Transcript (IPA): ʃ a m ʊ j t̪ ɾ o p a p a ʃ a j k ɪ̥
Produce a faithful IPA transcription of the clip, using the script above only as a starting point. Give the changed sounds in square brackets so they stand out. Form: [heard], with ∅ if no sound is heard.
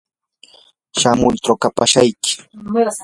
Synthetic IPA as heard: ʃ a m ʊ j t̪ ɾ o [k] a p a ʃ a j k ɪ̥